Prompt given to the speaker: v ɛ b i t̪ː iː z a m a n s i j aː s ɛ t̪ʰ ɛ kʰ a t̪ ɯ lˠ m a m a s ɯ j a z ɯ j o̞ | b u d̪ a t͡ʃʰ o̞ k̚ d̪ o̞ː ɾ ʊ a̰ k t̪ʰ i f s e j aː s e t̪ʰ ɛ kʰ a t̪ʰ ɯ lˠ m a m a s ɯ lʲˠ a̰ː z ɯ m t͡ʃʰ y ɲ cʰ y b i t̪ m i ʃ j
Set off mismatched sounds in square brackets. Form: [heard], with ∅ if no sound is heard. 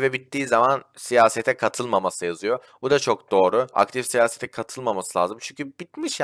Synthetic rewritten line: v ɛ b i t̪ː iː z a m a n s i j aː s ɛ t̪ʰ ɛ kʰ a [t̪ʰ] ɯ lˠ m a m a s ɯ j a z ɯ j o̞ | b u d̪ a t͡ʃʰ o̞ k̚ d̪ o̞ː ɾ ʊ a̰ k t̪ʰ i f s [i] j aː s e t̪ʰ ɛ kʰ a t̪ʰ ɯ lˠ m a m a s ɯ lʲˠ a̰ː z ɯ m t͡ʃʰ y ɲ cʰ y b i t̪ m i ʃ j

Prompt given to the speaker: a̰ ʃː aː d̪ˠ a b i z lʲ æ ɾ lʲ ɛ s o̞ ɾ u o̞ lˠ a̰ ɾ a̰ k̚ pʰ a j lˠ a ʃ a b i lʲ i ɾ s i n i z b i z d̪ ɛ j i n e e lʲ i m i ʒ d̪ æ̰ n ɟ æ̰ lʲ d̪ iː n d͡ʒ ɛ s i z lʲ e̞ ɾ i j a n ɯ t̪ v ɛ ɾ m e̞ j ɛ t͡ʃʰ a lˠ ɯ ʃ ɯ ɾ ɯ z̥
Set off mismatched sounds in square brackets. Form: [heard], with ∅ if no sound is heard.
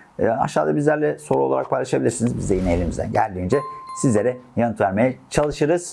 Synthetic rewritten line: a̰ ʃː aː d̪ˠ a b i z lʲ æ ɾ lʲ ɛ s o̞ ɾ u o̞ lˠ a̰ ɾ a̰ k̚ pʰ a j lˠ a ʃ a b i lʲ i ɾ s i n i z b i z d̪ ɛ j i n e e lʲ i m i [z] d̪ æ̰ n ɟ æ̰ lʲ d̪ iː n d͡ʒ ɛ s i z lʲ e̞ ɾ [ɛ] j a n ɯ t̪ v [æ] ɾ m e̞ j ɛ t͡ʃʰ a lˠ ɯ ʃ ɯ ɾ ɯ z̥

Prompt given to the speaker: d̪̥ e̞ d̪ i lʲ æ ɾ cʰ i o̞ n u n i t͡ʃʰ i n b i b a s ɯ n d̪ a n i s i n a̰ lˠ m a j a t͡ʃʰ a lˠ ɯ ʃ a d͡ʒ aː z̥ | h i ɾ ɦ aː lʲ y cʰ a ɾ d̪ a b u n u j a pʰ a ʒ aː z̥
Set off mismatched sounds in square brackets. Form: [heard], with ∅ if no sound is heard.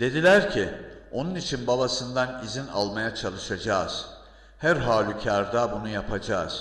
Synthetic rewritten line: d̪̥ e̞ d̪ i lʲ æ ɾ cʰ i o̞ n u n i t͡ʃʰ i n b [a] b a s ɯ n d̪ a n i [z] i n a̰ lˠ m a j a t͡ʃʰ a lˠ ɯ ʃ a d͡ʒ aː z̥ | h [æ] ɾ ɦ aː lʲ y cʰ a ɾ d̪ a b u n u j a pʰ a [d͡ʒ] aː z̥

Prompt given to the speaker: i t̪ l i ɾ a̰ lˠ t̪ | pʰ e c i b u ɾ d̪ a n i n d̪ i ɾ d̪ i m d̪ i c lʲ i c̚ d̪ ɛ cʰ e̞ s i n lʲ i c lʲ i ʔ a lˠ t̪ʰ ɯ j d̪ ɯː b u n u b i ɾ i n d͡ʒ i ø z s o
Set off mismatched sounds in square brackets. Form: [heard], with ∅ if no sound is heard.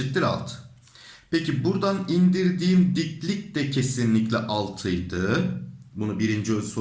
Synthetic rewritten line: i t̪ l i ɾ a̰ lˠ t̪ | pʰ e c i b u ɾ d̪ a n i n d̪ i ɾ d̪ [iː] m d̪ i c lʲ i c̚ d̪ ɛ cʰ e̞ s i n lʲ i c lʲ [ɛ] ʔ a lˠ t̪ʰ ɯ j d̪ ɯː b u n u b i ɾ i n d͡ʒ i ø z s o

